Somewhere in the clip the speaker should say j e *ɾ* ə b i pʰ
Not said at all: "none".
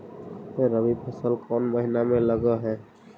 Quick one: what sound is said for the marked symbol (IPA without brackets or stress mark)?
ɾ